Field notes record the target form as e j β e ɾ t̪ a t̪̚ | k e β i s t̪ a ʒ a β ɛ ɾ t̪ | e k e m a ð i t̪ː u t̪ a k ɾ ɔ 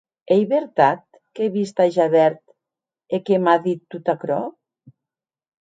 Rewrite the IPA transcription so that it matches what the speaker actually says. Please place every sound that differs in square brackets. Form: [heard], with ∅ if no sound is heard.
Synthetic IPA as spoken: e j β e ɾ t̪ a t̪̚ | k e β i s t̪ a ʒ a β ɛ ɾ t̪ | e k e m a ð i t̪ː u t̪ a k ɾ ɔ